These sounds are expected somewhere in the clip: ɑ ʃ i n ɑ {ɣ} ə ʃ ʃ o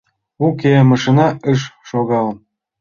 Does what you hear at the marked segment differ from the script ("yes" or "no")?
yes